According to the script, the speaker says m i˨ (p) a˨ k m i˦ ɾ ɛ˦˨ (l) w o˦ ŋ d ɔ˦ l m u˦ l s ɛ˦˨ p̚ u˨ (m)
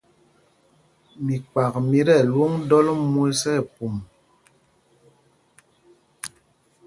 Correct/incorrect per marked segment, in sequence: incorrect, correct, correct

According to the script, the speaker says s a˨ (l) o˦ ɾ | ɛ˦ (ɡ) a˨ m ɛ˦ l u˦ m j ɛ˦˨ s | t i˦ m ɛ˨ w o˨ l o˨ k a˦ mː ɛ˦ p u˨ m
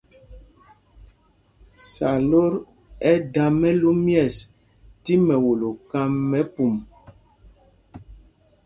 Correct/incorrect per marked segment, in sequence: correct, incorrect

